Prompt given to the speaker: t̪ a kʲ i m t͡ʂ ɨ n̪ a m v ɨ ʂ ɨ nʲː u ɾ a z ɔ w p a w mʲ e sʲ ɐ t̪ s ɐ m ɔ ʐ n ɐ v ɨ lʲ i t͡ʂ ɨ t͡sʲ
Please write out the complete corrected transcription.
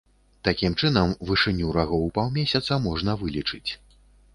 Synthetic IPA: t̪ a kʲ i m t͡ʂ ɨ n̪ ɐ m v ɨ ʂ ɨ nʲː u ɾ a ɣ ɔ w p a w mʲ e sʲ ɐ t̪ s ɐ m ɔ ʐ n ɐ v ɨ lʲ i t͡ʂ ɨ t͡sʲ